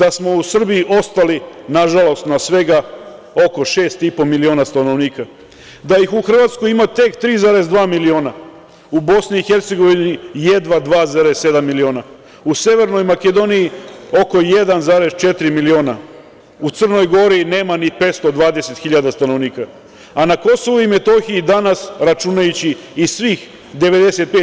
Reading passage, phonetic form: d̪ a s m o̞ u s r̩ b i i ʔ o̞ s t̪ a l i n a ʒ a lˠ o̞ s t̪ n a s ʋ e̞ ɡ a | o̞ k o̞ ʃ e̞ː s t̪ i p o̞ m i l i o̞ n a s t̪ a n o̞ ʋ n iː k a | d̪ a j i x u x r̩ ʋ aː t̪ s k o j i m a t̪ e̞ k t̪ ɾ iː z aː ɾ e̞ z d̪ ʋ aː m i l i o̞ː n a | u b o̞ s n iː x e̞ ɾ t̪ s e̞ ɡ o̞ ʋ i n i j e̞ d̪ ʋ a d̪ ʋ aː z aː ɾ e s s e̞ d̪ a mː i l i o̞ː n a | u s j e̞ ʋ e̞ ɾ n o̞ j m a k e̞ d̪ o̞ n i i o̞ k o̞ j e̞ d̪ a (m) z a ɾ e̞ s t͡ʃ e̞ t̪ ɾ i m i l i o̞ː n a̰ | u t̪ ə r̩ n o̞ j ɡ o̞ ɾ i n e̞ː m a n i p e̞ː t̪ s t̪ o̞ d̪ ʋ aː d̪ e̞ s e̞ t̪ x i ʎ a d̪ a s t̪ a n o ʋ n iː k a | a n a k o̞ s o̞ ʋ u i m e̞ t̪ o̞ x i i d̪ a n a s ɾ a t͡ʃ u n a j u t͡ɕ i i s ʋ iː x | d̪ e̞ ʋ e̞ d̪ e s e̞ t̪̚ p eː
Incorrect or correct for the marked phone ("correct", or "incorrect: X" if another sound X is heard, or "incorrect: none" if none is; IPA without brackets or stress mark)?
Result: incorrect: n